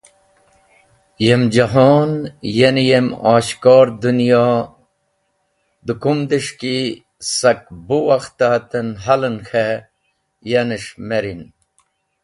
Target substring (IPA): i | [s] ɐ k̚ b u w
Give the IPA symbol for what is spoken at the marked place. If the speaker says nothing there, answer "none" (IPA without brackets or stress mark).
s